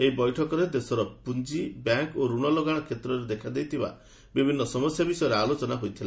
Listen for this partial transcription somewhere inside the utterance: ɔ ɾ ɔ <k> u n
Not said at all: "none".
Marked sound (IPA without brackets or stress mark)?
p